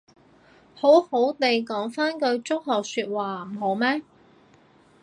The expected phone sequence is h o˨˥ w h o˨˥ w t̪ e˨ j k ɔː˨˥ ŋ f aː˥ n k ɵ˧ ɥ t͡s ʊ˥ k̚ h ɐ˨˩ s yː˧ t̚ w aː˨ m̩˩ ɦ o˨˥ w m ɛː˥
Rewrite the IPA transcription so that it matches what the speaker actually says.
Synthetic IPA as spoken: h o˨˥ w h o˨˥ w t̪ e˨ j k ɔː˨˥ ŋ f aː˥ n k ɵ˧ ɥ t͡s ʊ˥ k̚ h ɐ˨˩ s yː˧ t̚ w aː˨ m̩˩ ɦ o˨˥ w m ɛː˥